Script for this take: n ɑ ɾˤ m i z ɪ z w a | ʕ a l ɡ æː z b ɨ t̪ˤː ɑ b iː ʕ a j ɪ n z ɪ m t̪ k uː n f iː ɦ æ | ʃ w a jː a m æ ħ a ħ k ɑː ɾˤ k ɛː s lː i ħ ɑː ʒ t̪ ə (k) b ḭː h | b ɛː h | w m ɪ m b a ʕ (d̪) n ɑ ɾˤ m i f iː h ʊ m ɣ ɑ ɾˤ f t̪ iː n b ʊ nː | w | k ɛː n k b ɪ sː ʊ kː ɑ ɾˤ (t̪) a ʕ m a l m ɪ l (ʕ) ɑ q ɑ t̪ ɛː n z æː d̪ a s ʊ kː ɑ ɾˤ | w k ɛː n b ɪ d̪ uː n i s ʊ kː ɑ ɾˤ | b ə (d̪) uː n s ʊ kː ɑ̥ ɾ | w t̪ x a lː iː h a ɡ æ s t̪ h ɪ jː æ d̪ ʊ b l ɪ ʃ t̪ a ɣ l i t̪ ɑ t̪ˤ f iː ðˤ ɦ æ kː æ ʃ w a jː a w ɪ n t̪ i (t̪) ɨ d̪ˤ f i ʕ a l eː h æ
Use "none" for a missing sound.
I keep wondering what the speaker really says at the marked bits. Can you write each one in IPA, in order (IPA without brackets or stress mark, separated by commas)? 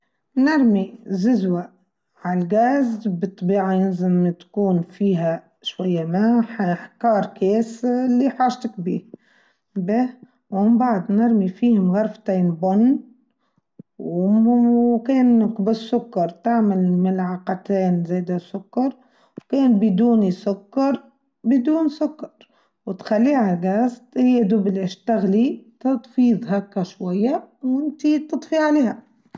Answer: k, d̪, t̪, ʕ, d̪, t̪